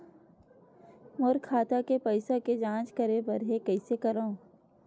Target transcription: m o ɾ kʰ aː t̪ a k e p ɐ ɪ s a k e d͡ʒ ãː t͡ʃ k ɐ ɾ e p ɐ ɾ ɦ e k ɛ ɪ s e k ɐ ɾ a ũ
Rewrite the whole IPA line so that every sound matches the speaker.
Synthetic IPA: m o ɾ kʰ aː t̪ a k e p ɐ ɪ s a k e d͡ʒ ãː t͡ʃ k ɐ ɾ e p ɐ ɾ ɦ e k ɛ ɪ s e k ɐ ɾ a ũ